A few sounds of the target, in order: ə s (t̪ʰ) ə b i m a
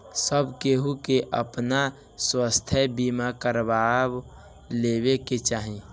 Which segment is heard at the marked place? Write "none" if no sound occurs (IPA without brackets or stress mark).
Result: t̪ʰ